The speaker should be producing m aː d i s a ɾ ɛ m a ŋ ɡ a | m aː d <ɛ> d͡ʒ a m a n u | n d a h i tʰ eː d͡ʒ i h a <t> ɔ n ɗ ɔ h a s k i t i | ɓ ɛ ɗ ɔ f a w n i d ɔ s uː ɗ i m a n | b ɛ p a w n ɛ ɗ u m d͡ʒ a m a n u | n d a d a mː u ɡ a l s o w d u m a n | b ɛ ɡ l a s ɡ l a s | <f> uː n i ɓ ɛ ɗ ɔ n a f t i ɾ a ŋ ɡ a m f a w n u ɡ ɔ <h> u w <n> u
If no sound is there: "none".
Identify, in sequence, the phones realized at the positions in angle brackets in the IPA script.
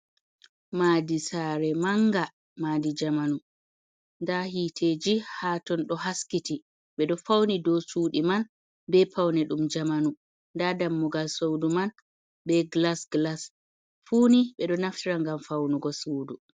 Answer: i, t, f, s, d

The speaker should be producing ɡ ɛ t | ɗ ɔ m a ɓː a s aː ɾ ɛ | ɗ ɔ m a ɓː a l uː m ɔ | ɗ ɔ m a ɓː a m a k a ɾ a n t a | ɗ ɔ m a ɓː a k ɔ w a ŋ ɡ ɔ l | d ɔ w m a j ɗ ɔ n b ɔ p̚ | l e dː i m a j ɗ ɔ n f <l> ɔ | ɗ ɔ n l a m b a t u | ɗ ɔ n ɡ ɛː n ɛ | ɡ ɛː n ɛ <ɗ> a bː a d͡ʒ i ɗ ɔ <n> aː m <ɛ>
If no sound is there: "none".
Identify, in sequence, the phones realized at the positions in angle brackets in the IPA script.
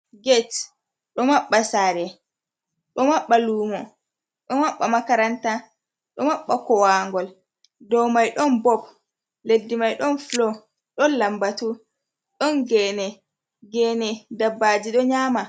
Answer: l, d, ɲ, a

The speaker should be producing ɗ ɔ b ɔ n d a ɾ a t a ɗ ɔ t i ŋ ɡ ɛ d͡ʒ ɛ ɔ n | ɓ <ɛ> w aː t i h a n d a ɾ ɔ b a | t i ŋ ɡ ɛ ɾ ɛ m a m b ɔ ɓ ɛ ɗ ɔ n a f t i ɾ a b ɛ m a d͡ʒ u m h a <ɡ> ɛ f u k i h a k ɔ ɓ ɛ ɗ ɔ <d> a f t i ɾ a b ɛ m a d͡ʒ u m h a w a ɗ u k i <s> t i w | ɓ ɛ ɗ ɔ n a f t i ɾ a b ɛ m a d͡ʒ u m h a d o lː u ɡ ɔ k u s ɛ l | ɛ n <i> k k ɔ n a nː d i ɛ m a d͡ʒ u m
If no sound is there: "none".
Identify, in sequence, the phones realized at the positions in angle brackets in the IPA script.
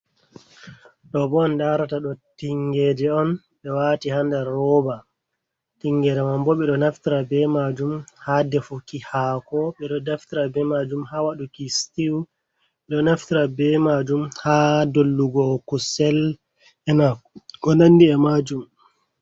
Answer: ɛ, d, d, s, a

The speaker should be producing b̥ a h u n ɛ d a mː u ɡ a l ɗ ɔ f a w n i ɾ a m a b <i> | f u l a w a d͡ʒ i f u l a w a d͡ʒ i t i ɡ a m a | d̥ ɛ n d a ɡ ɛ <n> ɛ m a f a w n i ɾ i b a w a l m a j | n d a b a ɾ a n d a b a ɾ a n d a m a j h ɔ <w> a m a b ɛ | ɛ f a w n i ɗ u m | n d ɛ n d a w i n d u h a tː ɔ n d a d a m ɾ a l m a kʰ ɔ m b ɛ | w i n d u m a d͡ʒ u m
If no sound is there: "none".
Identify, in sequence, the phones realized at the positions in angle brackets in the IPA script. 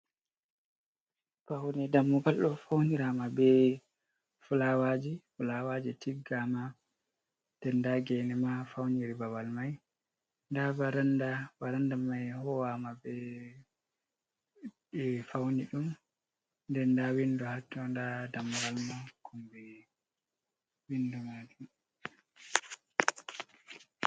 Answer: ɛ, n, w

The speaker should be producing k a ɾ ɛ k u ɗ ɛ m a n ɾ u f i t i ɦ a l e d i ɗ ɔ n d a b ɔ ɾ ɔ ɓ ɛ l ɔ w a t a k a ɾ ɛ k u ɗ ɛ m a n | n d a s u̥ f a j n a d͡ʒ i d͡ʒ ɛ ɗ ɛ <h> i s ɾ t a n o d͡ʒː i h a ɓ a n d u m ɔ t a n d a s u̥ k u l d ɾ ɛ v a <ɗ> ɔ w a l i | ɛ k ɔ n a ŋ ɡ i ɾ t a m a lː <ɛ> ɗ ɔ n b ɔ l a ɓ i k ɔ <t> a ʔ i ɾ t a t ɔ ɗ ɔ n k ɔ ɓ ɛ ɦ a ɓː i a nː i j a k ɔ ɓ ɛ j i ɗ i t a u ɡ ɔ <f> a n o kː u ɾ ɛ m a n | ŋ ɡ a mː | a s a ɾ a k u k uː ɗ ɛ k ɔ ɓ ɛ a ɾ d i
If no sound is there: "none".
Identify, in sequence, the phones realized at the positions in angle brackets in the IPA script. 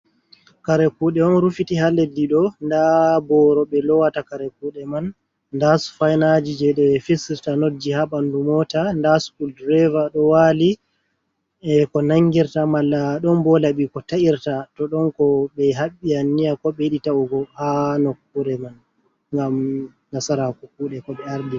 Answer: f, ɗ, a, t, h

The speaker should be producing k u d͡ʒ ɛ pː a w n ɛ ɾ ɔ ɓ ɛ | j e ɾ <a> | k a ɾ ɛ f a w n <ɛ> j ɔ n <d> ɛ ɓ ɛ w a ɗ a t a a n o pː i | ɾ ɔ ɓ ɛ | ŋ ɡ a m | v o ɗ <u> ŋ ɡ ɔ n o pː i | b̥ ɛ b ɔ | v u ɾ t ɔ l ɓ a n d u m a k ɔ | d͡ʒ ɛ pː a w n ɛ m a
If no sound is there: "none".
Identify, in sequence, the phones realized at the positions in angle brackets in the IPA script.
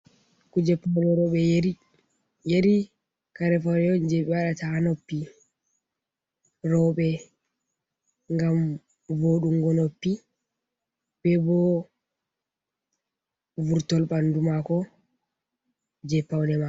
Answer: i, ɛ, d͡ʒ, u

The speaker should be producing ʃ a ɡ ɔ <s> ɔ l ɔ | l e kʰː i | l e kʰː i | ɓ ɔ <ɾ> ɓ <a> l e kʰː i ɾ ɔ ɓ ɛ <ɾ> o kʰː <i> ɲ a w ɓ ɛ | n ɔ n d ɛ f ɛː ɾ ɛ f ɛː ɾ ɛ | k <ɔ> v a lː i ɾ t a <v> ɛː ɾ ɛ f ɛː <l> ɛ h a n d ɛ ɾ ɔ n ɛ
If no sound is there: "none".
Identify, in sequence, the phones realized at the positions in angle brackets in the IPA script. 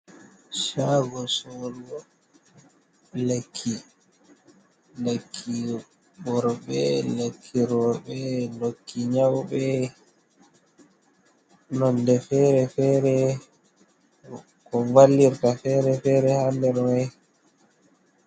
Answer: s, ɾ, ɛ, l, i, ɔ, f, ɾ

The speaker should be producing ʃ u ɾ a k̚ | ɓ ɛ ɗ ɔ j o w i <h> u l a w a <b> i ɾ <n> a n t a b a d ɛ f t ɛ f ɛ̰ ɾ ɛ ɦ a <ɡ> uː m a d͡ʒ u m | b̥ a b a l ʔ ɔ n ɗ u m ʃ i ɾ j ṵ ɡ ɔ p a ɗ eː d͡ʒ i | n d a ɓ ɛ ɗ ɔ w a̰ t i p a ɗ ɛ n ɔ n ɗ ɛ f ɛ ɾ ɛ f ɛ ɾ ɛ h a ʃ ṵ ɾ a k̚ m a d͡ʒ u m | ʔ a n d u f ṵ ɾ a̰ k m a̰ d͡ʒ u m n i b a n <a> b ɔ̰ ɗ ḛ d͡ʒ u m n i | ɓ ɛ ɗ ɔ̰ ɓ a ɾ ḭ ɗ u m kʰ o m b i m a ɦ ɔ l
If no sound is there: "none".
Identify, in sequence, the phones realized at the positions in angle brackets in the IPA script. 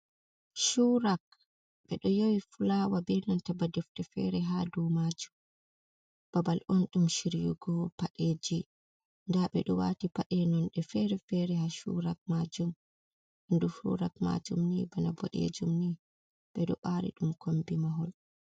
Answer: f, b, n, d, a

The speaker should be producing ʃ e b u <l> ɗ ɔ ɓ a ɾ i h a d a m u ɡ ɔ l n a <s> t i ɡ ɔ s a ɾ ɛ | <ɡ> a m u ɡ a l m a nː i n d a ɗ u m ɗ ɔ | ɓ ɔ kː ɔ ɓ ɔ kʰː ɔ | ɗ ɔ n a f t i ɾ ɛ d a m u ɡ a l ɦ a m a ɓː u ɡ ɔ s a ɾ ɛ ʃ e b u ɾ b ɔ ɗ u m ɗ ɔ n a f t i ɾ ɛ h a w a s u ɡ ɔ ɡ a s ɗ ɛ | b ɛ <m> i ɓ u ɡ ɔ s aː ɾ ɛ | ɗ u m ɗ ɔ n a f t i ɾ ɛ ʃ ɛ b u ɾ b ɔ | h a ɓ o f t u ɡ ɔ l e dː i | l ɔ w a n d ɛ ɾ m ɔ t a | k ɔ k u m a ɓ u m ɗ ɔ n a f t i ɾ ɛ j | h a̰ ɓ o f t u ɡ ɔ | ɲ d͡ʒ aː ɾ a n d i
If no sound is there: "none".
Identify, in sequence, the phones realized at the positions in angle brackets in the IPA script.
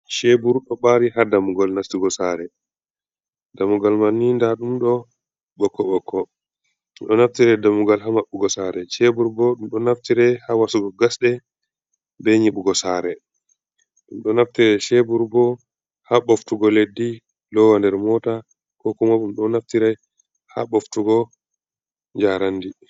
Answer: ɾ, f, d, ɲ

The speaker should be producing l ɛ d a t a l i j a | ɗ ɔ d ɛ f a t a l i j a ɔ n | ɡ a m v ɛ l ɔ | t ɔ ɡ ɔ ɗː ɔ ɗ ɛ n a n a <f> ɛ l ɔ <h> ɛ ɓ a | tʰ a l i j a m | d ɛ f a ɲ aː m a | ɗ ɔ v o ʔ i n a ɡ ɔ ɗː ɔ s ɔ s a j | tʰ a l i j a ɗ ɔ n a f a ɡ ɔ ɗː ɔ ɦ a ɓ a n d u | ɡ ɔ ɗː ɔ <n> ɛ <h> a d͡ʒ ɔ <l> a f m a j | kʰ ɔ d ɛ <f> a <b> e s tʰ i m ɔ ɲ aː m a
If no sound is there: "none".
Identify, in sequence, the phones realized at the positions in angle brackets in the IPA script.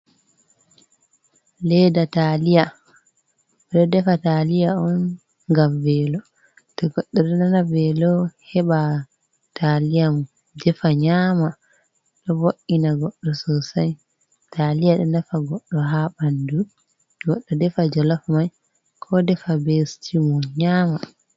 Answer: v, h, d, f, l, f, b

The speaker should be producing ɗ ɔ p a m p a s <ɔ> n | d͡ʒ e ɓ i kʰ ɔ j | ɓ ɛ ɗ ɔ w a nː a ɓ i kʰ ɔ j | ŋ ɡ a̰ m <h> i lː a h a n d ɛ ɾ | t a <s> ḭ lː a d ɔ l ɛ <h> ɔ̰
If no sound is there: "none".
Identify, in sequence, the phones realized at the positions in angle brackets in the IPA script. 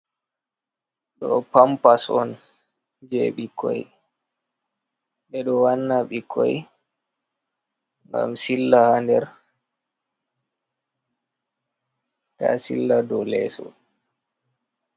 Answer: ɔ, s, s, s

